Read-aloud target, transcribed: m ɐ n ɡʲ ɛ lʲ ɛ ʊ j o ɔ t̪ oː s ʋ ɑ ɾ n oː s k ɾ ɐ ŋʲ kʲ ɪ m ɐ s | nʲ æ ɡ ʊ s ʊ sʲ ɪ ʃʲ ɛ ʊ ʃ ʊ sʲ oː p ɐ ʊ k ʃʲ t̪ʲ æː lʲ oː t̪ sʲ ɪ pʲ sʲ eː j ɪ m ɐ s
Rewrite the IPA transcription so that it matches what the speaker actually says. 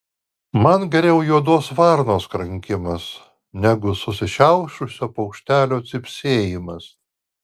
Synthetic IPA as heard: m ɐ n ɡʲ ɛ ɾʲ ɛ ʊ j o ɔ d̪ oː s ʋ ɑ ɾ n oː s k ɾ ɐ ŋʲ kʲ ɪ m ɐ s | nʲ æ ɡ ʊ s ʊ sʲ ɪ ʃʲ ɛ ʊ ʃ ʊ sʲ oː p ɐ ʊ k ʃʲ t̪ʲ æː lʲ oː t̪ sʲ ɪ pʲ sʲ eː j ɪ m ɐ s